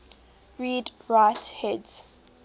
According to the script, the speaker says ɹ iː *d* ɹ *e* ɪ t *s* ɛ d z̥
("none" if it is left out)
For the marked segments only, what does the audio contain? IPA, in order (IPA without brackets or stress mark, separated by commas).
d, a, h